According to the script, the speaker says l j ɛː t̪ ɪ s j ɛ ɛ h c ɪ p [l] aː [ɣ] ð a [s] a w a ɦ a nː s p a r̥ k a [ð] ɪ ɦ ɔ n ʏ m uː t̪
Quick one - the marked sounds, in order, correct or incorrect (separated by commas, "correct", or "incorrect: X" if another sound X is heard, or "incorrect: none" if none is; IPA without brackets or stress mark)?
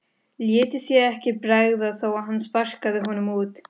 incorrect: ɾ, correct, incorrect: θ, correct